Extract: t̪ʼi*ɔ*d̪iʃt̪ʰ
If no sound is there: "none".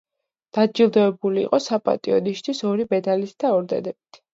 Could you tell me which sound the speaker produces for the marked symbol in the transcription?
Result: ɔ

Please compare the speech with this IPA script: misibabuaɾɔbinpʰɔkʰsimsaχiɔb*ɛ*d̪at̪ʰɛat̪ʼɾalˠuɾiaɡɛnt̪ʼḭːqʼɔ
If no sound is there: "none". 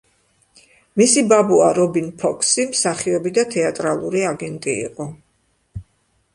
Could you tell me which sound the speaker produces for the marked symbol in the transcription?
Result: i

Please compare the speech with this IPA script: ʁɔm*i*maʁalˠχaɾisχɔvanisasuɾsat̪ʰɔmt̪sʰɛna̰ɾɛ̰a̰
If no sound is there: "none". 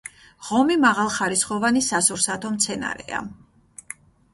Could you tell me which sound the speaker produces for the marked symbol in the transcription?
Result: i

